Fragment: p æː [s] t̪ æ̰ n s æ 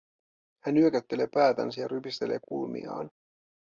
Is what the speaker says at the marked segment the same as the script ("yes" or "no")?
no